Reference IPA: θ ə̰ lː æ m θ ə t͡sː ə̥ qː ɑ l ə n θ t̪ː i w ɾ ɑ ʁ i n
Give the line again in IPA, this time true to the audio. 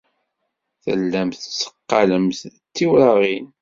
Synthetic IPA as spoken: θ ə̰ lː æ m θ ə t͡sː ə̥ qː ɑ l ə m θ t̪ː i w ɾ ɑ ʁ i n